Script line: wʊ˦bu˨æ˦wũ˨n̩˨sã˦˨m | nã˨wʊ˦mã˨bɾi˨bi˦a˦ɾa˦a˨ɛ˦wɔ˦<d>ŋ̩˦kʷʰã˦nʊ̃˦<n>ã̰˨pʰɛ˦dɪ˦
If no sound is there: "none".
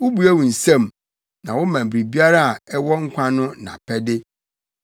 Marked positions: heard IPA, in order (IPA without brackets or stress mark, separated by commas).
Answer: none, n